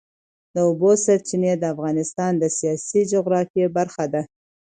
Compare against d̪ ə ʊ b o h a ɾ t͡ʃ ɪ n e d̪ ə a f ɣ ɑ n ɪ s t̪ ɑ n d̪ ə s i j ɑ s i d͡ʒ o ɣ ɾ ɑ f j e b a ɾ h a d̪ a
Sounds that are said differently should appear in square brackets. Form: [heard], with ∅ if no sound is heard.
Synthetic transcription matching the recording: d̪ ə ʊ b o [s] a ɾ t͡ʃ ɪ n e d̪ ə a f ɣ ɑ n ɪ s t̪ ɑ n d̪ ə s i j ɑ s i d͡ʒ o ɣ ɾ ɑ f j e b a ɾ [x] a d̪ a